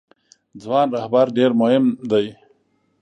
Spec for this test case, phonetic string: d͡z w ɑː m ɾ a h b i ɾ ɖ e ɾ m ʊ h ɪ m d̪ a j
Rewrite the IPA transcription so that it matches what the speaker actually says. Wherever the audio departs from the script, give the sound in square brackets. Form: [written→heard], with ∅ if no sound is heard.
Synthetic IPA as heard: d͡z w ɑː [m→n] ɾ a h b [i→a] ɾ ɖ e ɾ m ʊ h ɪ m d̪ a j